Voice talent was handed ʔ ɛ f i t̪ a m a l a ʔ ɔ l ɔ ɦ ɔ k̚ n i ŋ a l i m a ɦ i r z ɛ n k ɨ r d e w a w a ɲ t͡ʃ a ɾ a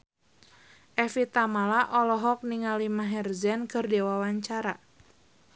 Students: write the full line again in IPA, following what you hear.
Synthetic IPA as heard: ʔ ɛ f i t̪ a m a l a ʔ ɔ l ɔ ɦ ɔ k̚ n i ŋ a l i m a ɦ ɛ r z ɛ n k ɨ r d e w a w a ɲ t͡ʃ a ɾ a